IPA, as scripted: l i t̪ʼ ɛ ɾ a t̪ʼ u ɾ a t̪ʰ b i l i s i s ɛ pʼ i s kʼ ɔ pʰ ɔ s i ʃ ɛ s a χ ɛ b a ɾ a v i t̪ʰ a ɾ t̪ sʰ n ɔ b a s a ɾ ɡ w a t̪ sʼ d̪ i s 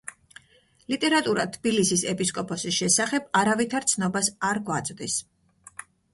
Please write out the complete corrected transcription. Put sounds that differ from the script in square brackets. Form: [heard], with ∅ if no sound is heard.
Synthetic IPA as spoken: l i t̪ʼ ɛ ɾ a t̪ʼ u ɾ a t̪ʰ b i l i s i s ɛ pʼ i s kʼ ɔ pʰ ɔ s i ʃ ɛ s a χ ɛ b a ɾ a v i t̪ʰ a ɾ t̪ sʰ n ɔ b a s a ɾ ɡ w a t̪ sʼ d̪ i s